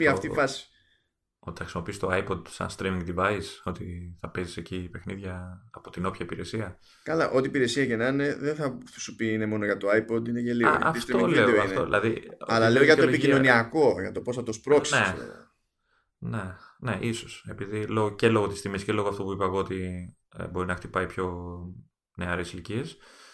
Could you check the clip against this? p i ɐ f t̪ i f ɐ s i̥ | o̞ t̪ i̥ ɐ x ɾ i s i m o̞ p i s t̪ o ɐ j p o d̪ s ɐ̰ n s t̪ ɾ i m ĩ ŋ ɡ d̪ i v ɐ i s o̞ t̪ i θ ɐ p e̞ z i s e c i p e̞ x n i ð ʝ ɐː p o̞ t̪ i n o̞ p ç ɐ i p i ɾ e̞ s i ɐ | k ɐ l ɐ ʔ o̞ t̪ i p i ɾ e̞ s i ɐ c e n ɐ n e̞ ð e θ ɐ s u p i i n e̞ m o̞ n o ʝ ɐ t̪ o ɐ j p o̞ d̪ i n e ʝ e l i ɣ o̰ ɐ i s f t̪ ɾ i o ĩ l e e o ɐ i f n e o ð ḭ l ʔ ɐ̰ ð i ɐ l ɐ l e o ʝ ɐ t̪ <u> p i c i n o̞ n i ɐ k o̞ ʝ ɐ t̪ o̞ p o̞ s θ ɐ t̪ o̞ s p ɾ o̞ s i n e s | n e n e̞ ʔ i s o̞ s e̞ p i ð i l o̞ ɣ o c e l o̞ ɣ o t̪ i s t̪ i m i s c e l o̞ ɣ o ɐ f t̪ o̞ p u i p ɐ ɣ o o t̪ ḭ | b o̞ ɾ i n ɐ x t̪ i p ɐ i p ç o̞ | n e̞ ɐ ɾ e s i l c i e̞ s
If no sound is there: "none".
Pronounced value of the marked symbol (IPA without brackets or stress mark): o